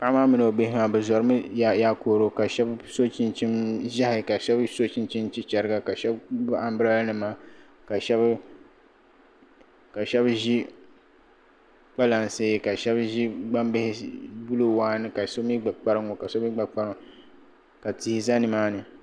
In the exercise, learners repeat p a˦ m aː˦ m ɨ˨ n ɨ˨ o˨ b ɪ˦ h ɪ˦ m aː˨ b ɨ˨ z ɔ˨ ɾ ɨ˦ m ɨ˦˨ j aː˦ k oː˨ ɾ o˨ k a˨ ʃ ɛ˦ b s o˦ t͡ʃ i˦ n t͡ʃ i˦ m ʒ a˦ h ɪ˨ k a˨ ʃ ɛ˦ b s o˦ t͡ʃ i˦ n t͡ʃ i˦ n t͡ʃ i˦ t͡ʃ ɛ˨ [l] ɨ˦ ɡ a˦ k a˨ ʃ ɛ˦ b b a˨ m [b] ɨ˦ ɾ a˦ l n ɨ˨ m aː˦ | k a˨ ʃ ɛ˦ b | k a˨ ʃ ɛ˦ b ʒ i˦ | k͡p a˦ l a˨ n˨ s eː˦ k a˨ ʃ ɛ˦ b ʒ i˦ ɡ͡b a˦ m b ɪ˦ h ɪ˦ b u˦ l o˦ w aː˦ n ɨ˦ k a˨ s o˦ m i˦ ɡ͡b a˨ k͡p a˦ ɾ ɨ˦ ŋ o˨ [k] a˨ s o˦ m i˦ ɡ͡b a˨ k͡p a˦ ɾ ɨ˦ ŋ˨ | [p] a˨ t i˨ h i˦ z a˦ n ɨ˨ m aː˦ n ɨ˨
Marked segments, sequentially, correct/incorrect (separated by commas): incorrect, correct, correct, incorrect